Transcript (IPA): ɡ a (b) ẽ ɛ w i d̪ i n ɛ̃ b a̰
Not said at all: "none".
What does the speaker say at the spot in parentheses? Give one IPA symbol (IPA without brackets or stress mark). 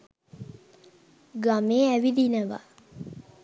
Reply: m